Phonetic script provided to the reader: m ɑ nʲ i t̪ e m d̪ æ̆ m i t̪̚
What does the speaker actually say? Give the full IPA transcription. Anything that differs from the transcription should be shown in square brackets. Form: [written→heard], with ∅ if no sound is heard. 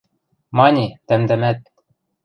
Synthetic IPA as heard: m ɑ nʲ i t̪ [e→æ] m d̪ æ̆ m [i→æ] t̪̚